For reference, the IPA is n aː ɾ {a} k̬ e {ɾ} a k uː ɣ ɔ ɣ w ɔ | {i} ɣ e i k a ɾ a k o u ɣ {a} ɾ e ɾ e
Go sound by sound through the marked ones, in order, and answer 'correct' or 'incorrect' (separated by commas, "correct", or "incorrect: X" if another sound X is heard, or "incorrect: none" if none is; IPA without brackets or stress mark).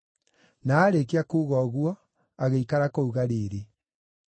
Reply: incorrect: e, incorrect: none, incorrect: a, correct